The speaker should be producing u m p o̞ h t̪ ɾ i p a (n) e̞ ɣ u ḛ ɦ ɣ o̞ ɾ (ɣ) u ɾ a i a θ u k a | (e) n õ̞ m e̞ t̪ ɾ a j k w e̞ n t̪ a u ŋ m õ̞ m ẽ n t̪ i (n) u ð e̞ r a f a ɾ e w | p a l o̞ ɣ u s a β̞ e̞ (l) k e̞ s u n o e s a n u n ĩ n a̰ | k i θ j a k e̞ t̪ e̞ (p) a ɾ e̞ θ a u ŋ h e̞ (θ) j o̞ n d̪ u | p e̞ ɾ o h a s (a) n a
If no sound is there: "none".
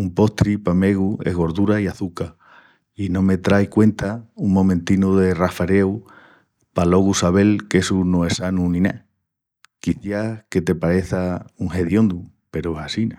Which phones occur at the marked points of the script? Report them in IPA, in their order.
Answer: m, ð, i, n, l, p, ð, i

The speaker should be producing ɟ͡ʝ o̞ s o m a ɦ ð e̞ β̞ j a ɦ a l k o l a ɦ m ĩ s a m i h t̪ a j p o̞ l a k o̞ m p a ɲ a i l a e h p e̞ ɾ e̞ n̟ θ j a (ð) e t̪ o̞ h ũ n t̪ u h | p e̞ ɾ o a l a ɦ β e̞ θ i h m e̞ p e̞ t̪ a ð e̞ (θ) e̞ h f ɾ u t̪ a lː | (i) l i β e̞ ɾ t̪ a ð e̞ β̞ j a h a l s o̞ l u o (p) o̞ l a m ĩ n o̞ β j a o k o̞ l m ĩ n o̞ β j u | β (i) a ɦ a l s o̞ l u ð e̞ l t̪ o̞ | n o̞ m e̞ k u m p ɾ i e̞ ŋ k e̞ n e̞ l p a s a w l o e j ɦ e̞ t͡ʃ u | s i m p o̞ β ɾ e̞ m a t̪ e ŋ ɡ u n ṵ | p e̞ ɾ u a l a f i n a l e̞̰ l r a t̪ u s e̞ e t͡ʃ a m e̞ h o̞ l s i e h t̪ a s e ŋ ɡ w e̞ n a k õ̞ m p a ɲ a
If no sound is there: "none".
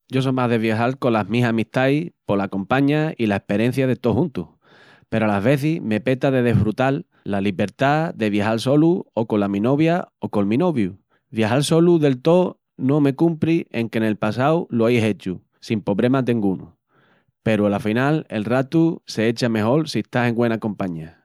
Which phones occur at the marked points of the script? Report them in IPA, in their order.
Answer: ð, ð, a, k, j

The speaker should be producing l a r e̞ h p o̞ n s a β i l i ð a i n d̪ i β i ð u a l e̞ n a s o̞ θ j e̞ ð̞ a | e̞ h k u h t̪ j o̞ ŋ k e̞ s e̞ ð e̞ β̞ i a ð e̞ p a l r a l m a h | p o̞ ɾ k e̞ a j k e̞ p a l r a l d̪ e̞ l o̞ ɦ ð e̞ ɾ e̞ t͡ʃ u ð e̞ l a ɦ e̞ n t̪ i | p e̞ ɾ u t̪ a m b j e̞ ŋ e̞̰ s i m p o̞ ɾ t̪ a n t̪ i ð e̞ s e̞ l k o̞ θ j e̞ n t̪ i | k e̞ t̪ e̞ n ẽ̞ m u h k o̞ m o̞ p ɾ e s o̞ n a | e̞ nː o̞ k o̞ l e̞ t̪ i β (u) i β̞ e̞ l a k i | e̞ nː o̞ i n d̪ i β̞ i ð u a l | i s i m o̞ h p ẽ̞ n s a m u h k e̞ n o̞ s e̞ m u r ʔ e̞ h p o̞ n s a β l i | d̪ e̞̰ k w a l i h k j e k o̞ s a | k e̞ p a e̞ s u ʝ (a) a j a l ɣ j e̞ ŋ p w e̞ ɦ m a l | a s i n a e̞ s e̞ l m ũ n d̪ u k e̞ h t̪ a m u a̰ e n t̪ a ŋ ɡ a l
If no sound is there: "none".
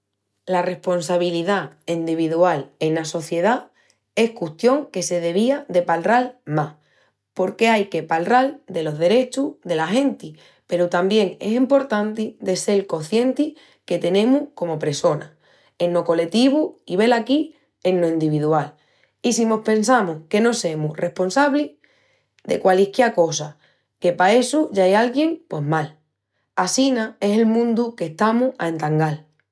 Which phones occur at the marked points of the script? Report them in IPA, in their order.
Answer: u, a

